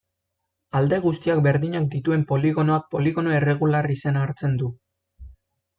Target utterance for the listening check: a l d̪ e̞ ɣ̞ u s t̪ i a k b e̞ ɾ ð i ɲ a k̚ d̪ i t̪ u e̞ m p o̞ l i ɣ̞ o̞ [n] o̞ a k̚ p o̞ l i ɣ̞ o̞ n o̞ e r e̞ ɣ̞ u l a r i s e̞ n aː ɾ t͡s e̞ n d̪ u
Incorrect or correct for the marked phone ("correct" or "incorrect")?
correct